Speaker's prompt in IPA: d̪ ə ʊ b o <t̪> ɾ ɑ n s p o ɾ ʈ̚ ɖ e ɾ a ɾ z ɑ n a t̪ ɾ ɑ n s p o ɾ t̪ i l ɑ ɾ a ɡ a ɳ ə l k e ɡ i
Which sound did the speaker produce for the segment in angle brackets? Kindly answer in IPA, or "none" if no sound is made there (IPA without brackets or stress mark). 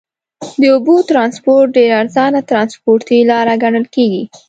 t̪